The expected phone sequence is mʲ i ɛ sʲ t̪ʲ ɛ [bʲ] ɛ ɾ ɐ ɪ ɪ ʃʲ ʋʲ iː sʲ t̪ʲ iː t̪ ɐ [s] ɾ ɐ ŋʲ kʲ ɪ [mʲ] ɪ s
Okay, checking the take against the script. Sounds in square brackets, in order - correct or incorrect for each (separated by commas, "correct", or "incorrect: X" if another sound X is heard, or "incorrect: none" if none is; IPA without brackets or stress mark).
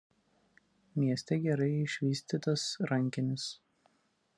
incorrect: ɡʲ, correct, incorrect: nʲ